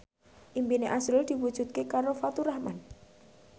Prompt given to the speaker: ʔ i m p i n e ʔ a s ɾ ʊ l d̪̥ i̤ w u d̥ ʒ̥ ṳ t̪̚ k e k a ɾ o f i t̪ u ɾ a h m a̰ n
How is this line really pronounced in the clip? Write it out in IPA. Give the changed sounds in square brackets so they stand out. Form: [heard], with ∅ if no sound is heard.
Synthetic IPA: ʔ i m p i n e ʔ a s ɾ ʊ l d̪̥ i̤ w u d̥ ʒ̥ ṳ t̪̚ k e k a ɾ o f [a] t̪ u ɾ a h m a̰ n